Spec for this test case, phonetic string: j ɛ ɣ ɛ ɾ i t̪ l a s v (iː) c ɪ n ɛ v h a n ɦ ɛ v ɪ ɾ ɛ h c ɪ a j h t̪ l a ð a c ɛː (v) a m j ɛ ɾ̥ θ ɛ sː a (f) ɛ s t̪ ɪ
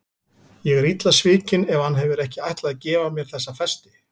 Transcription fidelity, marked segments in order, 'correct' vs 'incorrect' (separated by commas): incorrect, correct, correct